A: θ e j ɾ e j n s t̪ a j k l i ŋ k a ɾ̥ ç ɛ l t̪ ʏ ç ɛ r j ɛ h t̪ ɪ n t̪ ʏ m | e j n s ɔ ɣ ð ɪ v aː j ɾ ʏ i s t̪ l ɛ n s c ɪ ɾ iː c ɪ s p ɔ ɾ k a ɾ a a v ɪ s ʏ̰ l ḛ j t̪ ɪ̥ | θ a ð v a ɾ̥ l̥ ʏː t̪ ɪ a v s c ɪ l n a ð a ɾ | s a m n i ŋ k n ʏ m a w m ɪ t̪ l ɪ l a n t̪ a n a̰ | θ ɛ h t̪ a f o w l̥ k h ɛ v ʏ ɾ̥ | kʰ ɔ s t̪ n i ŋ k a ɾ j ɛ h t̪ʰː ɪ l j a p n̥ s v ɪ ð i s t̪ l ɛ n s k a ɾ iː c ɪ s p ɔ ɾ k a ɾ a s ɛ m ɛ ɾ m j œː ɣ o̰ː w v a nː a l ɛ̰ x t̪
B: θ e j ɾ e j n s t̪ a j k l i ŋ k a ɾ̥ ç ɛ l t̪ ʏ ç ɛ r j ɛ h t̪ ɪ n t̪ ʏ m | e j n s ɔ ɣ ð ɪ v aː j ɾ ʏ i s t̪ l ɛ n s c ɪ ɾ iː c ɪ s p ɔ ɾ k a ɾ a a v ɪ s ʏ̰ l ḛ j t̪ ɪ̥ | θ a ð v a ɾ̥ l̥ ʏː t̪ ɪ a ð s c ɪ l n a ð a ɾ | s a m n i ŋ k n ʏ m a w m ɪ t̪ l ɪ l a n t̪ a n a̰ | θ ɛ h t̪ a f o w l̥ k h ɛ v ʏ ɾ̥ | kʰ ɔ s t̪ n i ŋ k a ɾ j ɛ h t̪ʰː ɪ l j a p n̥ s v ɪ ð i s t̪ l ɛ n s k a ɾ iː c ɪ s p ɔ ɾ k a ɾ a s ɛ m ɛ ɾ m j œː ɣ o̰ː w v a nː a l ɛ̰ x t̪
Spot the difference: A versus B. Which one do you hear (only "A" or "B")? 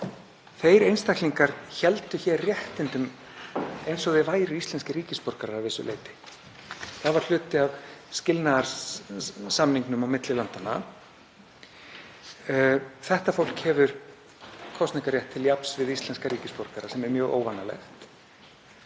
A